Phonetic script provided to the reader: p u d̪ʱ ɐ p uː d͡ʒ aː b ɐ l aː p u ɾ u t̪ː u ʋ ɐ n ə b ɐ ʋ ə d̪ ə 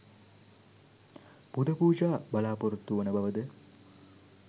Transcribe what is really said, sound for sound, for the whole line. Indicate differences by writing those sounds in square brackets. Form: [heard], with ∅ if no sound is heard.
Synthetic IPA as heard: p u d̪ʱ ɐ p uː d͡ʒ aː b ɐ l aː p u ɾ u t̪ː u ʋ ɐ n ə b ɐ ʋ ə d̪ ə